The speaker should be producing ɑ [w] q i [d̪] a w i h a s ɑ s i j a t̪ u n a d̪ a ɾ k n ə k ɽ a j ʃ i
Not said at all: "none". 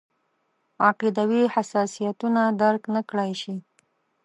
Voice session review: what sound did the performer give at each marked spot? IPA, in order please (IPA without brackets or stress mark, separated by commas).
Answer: none, d̪